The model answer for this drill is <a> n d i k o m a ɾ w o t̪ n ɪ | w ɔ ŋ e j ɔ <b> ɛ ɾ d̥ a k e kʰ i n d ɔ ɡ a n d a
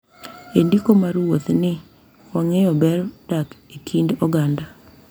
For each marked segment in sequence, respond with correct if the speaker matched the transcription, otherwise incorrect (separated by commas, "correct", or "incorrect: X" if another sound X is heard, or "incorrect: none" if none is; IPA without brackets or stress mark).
incorrect: e, correct